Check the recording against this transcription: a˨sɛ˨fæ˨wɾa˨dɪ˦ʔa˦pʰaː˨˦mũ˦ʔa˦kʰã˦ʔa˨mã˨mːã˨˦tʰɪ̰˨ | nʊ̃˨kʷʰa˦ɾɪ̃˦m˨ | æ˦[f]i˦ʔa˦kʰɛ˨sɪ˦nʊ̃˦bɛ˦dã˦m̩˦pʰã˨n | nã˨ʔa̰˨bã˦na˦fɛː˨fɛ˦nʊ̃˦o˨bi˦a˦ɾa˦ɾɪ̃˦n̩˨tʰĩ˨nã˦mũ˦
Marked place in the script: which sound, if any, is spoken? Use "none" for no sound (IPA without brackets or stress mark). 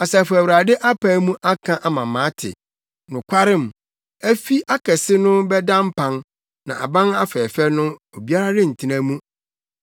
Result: f